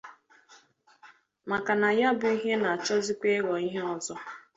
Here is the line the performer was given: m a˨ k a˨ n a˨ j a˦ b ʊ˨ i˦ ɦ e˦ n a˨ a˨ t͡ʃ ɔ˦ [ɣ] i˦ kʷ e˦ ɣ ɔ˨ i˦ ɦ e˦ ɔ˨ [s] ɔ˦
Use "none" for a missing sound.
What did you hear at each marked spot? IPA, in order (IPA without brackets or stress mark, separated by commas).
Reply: z, z